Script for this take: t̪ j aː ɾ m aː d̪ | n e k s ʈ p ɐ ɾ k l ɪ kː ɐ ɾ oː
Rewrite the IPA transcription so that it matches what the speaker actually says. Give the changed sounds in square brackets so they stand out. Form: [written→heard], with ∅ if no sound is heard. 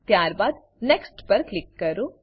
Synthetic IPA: t̪ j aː ɾ [m→b] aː d̪ | n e k s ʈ p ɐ ɾ k l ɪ kː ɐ ɾ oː